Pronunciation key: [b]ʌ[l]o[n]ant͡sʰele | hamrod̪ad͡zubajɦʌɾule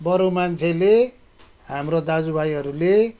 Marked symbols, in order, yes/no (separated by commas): yes, no, no